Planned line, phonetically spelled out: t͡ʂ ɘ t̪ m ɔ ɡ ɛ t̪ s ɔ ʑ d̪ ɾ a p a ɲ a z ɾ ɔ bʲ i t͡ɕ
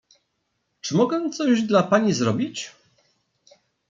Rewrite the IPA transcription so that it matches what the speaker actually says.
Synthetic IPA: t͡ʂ ɘ m ɔ ɡ ɛ t̪ s ɔ ʑ d̪ l a p a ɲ i z ɾ ɔ bʲ i t͡ɕ

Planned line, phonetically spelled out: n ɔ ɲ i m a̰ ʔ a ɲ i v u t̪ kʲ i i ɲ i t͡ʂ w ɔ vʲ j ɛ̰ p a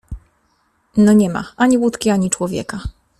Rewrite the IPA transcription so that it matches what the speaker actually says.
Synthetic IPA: n ɔ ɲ ɛ m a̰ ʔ a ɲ i w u t̪ kʲ i a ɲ i t͡ʂ w ɔ vʲ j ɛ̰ k a

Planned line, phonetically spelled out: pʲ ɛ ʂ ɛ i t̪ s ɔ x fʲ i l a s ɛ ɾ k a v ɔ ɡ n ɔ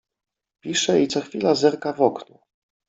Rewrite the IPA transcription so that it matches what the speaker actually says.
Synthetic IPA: pʲ i ʂ ɛ i t̪ s ɔ x fʲ i l a z ɛ ɾ k a v ɔ k n u

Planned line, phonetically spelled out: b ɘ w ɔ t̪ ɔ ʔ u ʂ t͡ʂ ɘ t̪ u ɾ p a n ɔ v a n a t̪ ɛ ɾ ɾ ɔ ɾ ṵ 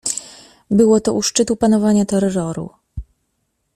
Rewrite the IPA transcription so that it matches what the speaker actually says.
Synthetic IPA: b ɘ w ɔ t̪ ɔ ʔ u ʂ t͡ʂ ɘ t̪ u p a n ɔ v a ɲ a t̪ ɛ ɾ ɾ ɔ ɾ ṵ

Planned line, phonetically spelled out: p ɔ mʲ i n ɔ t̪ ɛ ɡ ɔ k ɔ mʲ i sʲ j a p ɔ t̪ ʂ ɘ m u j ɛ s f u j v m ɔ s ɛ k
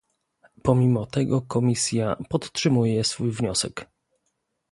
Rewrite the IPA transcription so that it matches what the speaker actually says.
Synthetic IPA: p ɔ mʲ i m ɔ t̪ ɛ ɡ ɔ k ɔ mʲ i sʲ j a p ɔ t̪ ʂ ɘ m u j ɛ s f u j v ɲ ɔ s ɛ k

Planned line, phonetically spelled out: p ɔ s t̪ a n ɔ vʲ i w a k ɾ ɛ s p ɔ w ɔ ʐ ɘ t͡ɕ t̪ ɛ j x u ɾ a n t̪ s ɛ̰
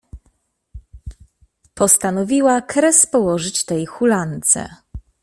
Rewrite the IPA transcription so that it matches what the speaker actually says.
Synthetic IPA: p ɔ s t̪ a n ɔ vʲ i w a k ɾ ɛ s p ɔ w ɔ ʐ ɘ t͡ɕ t̪ ɛ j x u l a n t̪ s ɛ̰

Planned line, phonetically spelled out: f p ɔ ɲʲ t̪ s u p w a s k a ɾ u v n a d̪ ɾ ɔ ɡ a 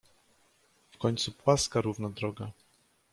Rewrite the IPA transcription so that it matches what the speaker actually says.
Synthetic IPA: f k ɔ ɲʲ t̪ s u p w a s k a ɾ u v n a d̪ ɾ ɔ ɡ a

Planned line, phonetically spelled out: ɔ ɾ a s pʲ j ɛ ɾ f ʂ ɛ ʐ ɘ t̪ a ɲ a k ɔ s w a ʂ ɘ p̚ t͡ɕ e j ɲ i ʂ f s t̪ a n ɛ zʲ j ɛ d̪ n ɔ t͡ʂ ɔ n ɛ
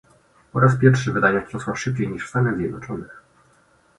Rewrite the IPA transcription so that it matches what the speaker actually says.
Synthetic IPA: ɔ ɾ a s pʲ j ɛ ɾ f ʂ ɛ v ɘ d̪ a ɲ a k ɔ s w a ʂ ɘ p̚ t͡ɕ e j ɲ i ʂ f s t̪ a n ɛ zʲ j ɛ d̪ n ɔ t͡ʂ ɔ n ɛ

